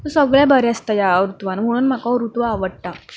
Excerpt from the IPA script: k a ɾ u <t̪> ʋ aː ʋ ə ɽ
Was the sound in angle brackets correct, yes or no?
yes